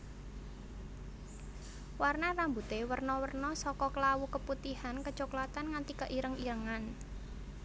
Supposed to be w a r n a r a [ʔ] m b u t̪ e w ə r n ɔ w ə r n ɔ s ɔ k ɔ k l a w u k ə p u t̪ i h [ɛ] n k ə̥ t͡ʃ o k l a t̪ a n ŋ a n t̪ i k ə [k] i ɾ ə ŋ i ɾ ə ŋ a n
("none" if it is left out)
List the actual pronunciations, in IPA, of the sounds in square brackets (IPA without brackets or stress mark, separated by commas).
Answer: none, a, ʔ